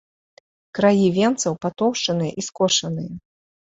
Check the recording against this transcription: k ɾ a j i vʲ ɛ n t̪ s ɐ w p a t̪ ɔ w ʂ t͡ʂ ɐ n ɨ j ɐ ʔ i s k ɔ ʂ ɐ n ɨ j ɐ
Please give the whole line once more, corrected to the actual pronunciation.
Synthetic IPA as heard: k ɾ a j i vʲ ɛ n t̪ s ɐ w p a t̪ ɔ w ʂ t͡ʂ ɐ n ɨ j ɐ ʔ i s k ɔ ʂ ɐ n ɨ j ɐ